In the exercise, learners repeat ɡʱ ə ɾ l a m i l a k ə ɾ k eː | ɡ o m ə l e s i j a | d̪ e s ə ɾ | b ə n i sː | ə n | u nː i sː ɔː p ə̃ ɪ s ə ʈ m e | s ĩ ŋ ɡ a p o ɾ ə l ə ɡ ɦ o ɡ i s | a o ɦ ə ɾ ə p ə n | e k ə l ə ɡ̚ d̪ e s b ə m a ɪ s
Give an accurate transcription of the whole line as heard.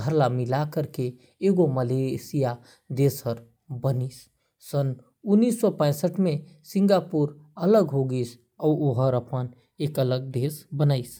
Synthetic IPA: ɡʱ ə ɾ l a m i l a k ə ɾ k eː | ɡ o m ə l e s i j a | d̪ e s ə ɾ | b ə n i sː | ə n | u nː i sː ɔ p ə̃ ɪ s ə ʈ m e | s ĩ ŋ ɡ a p u ɾ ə l ə ɡ ɦ o ɡ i s | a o ɦ ə ɾ ə p ə n | e k ə l ə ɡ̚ d̪ e s b ə n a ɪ s